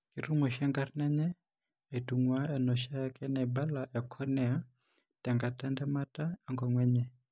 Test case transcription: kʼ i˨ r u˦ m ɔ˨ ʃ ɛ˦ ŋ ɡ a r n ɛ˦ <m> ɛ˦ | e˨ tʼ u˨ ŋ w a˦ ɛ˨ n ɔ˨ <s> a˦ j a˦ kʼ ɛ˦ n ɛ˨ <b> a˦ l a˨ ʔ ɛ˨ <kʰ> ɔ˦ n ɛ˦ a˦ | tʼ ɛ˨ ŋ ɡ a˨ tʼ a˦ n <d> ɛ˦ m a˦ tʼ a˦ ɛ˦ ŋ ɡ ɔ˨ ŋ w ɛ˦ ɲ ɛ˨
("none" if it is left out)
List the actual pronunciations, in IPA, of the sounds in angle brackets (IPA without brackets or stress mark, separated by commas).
ɲ, ʃ, b, kʰ, d